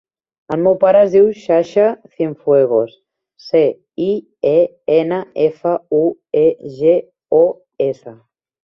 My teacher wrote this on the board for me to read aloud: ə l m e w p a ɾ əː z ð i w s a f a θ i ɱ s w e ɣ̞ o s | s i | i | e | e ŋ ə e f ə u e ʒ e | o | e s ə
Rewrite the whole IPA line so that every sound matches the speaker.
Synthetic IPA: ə l m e w p a ɾ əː z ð i w ʃ a ʃ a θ i ɱ f w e ɣ̞ o s | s e | i | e | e n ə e f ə u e ʒ e | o | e s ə